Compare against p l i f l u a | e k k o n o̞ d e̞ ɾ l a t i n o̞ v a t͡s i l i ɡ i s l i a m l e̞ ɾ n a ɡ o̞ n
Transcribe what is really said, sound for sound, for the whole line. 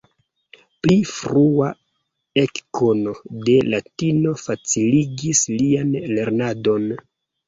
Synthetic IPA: p l i f ɾ u a | e k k o n o̞ d e̞ l a t i n o̞ f a t͡s i l i ɡ i s l i a n l e̞ ɾ n a d o̞ n